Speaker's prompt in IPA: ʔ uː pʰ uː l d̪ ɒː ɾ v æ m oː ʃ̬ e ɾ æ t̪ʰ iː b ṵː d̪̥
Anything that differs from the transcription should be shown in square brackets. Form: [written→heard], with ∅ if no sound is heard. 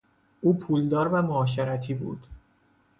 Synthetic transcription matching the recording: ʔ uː pʰ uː l d̪ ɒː ɾ v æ m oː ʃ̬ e ɾ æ t̪ʰ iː b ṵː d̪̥

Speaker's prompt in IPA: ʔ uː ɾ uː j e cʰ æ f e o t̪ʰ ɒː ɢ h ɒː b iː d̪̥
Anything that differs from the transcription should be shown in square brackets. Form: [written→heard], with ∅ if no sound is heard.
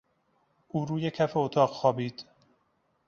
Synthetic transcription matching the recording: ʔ uː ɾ uː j e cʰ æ f e o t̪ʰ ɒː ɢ [h→x] ɒː b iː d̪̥

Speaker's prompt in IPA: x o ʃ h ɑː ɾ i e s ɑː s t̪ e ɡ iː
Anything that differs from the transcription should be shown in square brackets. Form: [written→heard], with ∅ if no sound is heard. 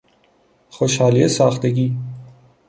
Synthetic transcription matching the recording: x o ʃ h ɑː [ɾ→l] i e s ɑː [s→x] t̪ e ɡ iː

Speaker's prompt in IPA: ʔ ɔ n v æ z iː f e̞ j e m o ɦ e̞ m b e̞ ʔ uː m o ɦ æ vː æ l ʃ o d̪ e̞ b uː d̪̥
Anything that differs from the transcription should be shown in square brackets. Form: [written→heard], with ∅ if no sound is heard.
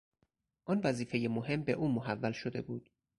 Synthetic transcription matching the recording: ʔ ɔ n v æ z iː f e̞ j e m o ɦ e̞ m b e̞ ʔ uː m o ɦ æ vː æ l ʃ o d̪ e̞ b uː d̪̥

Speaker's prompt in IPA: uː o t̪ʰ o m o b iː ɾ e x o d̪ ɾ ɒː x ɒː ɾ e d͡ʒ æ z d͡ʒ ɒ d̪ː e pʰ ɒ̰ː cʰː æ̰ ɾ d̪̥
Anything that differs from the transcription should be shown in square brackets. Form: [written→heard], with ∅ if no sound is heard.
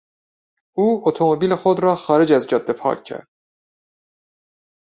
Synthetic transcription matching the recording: uː o t̪ʰ o m o b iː [ɾ→l] e x o d̪ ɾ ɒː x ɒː ɾ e d͡ʒ æ z d͡ʒ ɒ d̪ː e pʰ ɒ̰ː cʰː æ̰ ɾ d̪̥

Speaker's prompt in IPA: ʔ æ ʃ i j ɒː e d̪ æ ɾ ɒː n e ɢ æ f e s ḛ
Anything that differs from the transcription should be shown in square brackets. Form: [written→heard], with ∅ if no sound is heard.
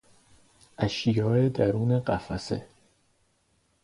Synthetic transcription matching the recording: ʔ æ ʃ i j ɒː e d̪ æ ɾ [ɒː→uː] n e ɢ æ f [e→æ] s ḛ

